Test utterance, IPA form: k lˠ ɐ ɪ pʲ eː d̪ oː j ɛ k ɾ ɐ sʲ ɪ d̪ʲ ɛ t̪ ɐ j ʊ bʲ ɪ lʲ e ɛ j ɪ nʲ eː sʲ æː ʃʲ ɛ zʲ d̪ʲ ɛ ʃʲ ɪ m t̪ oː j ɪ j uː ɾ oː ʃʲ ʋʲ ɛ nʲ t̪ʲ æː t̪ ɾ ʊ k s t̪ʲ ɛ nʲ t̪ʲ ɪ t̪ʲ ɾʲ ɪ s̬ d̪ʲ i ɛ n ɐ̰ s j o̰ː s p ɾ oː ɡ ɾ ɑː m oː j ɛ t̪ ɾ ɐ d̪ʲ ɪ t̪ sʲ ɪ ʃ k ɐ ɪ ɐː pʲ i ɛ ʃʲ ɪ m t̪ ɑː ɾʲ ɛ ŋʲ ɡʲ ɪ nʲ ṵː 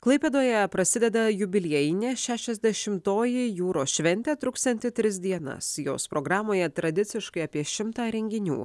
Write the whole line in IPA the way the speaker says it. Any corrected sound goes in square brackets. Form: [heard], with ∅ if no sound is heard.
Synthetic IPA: k lˠ ɐ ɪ pʲ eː d̪ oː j ɛ [p] ɾ ɐ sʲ ɪ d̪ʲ ɛ [d̪] ɐ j ʊ bʲ ɪ lʲ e ɛ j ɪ nʲ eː [ʃʲ] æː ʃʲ ɛ zʲ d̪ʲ ɛ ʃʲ ɪ m t̪ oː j ɪ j uː ɾ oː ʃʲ ʋʲ ɛ nʲ t̪ʲ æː t̪ ɾ ʊ k s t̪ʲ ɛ nʲ t̪ʲ ɪ t̪ʲ ɾʲ ɪ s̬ d̪ʲ i ɛ n ɐ̰ s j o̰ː s p ɾ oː ɡ ɾ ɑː m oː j ɛ t̪ ɾ ɐ d̪ʲ ɪ t̪ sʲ ɪ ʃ k ɐ ɪ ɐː pʲ i ɛ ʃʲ ɪ m t̪ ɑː ɾʲ ɛ ŋʲ ɡʲ ɪ nʲ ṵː